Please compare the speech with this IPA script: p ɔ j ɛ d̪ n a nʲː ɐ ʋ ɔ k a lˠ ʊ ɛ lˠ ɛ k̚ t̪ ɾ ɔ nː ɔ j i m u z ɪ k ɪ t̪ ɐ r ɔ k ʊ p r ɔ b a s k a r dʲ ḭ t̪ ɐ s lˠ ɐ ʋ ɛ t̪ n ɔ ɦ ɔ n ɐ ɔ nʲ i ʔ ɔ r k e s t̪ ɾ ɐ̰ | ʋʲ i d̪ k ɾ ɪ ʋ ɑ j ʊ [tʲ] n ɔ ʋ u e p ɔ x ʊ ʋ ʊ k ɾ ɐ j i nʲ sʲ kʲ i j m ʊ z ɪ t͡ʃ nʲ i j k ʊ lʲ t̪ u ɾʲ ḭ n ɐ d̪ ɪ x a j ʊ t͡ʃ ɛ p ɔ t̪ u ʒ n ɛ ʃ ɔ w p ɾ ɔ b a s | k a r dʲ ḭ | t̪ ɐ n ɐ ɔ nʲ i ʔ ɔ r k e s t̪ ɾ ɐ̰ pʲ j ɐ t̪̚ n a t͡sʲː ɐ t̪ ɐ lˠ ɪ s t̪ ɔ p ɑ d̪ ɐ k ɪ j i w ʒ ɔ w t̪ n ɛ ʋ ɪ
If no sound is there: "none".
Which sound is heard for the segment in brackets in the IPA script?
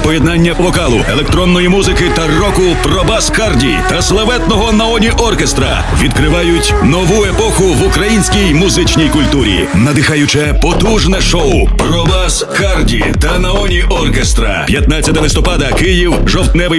tʲ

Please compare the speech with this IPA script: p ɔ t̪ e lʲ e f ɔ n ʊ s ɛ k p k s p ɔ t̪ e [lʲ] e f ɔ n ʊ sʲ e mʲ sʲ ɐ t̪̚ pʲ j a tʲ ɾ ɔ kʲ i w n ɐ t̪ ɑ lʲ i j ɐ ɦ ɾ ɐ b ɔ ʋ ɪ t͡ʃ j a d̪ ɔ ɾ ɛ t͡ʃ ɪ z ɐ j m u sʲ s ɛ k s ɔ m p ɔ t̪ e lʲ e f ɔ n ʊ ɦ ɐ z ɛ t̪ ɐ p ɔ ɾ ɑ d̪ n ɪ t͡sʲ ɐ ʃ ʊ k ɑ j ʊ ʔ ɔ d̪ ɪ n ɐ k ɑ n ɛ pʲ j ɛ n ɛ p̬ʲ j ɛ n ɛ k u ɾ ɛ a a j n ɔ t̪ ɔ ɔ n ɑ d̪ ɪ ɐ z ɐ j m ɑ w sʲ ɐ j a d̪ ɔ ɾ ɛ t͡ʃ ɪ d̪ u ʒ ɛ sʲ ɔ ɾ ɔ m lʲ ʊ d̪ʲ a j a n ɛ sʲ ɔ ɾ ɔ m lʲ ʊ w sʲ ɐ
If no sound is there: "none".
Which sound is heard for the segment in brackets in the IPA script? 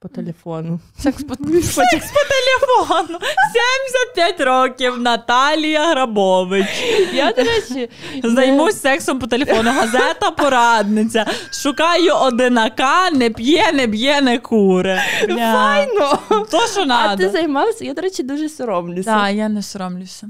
lʲ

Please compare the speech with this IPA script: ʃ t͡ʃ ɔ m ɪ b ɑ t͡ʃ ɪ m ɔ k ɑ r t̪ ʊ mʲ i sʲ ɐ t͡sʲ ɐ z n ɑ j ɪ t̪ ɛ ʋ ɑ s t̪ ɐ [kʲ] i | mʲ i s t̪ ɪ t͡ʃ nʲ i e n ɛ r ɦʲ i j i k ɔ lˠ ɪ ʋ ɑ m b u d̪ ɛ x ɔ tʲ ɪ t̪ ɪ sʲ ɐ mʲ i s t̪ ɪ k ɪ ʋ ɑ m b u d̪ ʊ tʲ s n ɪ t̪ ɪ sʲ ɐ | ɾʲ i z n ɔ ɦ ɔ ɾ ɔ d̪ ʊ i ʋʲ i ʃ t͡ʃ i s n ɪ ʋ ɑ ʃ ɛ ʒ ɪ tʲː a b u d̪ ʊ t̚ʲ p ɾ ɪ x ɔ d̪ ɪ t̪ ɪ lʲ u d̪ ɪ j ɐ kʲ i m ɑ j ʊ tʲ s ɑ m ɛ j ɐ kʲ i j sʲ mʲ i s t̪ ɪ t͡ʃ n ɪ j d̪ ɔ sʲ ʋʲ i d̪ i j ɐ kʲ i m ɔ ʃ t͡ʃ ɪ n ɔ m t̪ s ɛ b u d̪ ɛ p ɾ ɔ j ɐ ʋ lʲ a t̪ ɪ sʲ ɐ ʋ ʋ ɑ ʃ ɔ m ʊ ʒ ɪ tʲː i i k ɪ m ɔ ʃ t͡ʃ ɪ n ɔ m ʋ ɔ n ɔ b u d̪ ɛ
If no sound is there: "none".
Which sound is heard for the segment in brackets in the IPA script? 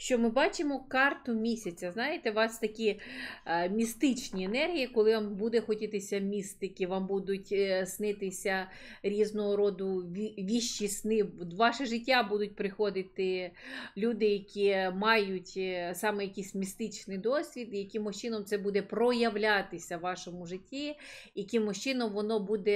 kʲ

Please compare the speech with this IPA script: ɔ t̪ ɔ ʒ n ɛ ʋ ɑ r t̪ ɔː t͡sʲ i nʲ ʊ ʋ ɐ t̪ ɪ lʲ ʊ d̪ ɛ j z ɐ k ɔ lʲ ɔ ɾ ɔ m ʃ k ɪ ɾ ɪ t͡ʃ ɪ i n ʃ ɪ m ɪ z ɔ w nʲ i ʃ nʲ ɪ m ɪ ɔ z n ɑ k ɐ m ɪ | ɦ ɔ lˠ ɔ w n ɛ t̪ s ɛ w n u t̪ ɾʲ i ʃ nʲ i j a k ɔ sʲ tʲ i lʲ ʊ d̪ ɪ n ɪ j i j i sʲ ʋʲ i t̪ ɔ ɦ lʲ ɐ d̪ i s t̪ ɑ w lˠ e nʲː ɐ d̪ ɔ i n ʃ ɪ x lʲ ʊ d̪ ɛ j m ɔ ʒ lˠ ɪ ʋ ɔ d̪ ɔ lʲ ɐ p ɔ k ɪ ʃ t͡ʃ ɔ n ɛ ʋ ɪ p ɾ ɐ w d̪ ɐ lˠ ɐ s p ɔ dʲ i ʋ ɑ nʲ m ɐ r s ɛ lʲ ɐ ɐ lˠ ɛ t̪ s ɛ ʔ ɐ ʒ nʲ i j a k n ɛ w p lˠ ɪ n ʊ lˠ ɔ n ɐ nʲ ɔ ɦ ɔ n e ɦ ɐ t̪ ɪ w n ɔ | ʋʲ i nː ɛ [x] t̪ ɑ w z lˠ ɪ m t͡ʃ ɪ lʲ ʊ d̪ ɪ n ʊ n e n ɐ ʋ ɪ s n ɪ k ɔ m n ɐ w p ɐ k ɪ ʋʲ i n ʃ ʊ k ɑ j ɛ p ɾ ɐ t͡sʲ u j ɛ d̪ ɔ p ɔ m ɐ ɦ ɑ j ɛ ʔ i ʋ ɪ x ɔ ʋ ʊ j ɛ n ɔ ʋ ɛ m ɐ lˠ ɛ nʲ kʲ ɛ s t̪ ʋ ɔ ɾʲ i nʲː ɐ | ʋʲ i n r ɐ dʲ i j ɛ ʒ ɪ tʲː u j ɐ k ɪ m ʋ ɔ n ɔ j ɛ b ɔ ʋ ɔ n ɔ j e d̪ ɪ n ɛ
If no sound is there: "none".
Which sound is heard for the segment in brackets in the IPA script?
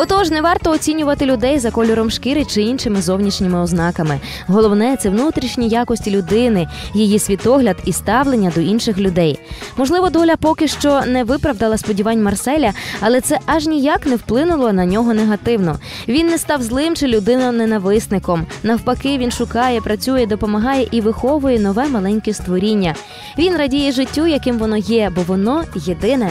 s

